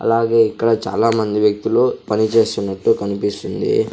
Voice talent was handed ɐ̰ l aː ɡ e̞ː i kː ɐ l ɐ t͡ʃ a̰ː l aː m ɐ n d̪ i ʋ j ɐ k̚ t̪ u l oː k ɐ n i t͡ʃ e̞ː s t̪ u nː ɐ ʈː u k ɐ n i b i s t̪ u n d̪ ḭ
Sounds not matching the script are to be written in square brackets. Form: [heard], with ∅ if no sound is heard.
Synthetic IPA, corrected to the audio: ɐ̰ l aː ɡ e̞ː i kː ɐ [ɽ] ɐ t͡ʃ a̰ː l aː m ɐ n d̪ i ʋ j ɐ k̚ t̪ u l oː [p] ɐ n i t͡ʃ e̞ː s t̪ u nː ɐ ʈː u k ɐ n i [p] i s t̪ u n d̪ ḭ

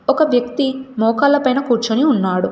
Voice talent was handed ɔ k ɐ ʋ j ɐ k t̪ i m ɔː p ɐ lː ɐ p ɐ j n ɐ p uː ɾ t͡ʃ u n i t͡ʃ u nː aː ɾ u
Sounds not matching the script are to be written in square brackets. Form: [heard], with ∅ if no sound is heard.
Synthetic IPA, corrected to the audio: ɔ k ɐ ʋ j ɐ k t̪ i m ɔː [k] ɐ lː ɐ p ɐ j n ɐ [k] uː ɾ t͡ʃ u n i [∅] u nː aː [ɽ] u

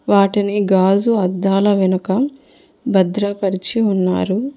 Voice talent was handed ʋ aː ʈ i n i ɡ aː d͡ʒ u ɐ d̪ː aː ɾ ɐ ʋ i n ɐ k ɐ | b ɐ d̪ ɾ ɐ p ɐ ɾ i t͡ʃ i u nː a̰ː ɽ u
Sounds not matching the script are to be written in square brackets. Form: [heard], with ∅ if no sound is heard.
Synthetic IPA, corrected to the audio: ʋ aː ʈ i n i ɡ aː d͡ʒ u ɐ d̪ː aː [l] ɐ ʋ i n ɐ k ɐ | b ɐ d̪ ɾ ɐ p ɐ ɾ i t͡ʃ i u nː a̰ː [ɾ] u

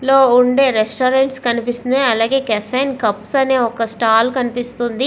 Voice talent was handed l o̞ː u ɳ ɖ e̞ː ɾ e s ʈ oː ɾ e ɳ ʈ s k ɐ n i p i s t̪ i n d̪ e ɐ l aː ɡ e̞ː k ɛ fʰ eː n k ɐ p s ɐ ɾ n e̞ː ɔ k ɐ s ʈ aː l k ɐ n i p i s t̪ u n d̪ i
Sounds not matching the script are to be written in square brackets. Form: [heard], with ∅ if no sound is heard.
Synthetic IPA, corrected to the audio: l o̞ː u ɳ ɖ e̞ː ɾ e s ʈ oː ɾ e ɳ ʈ s k ɐ n i p i s t̪ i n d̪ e ɐ l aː ɡ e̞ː k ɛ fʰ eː n k ɐ p s ɐ [∅] n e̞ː ɔ k ɐ s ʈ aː l k ɐ n i p i s t̪ u n d̪ i

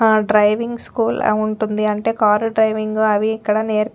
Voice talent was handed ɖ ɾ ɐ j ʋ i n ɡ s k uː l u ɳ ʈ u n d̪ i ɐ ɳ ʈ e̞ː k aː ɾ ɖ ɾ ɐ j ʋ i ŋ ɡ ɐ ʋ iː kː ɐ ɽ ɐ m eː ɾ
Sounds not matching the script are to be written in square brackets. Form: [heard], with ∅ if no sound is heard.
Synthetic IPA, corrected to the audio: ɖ ɾ ɐ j ʋ i [ŋ] ɡ s k uː l u ɳ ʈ u n d̪ i ɐ ɳ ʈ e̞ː k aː ɾ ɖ ɾ ɐ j ʋ i ŋ ɡ ɐ ʋ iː kː ɐ ɽ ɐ [n] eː ɾ

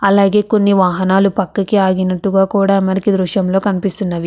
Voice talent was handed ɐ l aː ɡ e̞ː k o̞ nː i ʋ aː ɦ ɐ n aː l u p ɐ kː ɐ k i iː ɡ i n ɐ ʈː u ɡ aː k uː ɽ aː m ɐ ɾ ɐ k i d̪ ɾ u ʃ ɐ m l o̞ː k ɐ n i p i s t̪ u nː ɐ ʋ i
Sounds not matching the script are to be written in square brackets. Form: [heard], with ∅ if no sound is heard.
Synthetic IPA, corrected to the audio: ɐ l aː ɡ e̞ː k o̞ nː i ʋ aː ɦ ɐ n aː l u p ɐ kː ɐ k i [aː] ɡ i n ɐ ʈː u ɡ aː k uː ɽ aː m ɐ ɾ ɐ k i d̪ ɾ u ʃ ɐ m l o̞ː k ɐ n i p i s t̪ u nː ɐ ʋ i

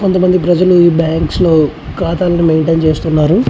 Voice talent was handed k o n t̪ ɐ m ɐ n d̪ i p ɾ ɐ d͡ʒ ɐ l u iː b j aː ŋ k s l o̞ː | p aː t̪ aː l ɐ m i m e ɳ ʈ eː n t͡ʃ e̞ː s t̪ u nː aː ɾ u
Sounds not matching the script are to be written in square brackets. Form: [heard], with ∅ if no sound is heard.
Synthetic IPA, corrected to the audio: k o n t̪ ɐ m ɐ n d̪ i p ɾ ɐ d͡ʒ ɐ l u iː b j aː ŋ k s l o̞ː | [k] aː t̪ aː l ɐ [n] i m e ɳ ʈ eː n t͡ʃ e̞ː s t̪ u nː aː ɾ u

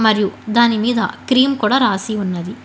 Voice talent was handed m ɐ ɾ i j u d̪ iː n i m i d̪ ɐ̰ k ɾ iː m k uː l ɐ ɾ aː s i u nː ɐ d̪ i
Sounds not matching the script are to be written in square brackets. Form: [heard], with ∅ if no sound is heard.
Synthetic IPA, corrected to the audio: m ɐ ɾ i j u d̪ [aː] n i m [iː] d̪ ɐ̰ k ɾ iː m k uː [ɽ] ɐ ɾ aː s i u nː ɐ d̪ i

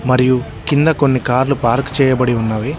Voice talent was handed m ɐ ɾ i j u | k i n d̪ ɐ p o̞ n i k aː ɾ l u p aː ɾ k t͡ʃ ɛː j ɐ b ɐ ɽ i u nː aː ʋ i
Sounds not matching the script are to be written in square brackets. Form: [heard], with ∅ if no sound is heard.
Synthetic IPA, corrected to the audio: m ɐ ɾ i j u | k i n d̪ ɐ [k] o̞ [nː] i k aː ɾ l u p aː ɾ k t͡ʃ ɛː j ɐ b ɐ ɽ i u nː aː ʋ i

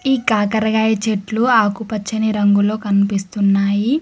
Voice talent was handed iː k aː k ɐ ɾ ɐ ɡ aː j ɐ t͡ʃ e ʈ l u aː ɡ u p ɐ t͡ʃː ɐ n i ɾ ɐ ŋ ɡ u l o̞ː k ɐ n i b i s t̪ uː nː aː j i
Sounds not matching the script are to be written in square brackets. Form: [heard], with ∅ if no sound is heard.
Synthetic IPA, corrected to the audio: iː k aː k ɐ ɾ ɐ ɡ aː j ɐ t͡ʃ e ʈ l u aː [k] u p ɐ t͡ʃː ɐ n i ɾ ɐ ŋ ɡ u l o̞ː k ɐ n i [p] i s t̪ [u] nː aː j i

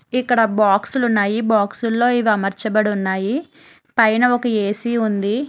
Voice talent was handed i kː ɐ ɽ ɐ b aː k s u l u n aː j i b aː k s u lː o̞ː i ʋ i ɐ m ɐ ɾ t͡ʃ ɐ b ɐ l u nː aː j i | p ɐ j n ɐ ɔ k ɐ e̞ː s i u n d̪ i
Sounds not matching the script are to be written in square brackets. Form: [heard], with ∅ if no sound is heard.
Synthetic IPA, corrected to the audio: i kː ɐ ɽ ɐ b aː k s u l u [nː] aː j i b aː k s u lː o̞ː i ʋ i ɐ m ɐ ɾ t͡ʃ ɐ b ɐ [ɽ] u nː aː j i | p ɐ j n ɐ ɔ k ɐ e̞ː s i u n d̪ i

